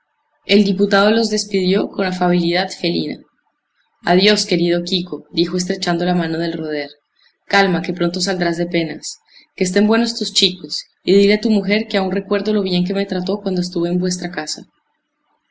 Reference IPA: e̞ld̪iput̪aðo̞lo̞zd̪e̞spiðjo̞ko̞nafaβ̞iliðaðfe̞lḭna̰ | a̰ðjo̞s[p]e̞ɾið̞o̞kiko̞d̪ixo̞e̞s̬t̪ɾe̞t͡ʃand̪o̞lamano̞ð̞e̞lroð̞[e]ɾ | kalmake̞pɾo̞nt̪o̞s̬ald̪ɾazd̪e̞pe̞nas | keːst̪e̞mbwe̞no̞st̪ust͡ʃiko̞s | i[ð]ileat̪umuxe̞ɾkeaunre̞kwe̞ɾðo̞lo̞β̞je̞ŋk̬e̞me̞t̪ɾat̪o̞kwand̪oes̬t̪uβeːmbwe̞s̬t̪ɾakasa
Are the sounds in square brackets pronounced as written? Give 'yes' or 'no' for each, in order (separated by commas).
no, yes, yes